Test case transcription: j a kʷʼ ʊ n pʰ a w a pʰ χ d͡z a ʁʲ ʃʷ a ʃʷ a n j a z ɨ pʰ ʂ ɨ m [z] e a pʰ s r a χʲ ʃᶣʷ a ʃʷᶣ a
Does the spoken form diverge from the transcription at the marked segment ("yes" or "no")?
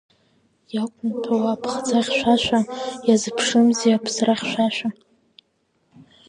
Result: no